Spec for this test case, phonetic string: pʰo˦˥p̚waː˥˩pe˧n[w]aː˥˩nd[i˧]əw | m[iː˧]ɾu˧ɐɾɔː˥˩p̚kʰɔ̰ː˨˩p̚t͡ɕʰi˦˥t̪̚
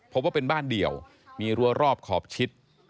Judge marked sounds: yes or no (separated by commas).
no, no, yes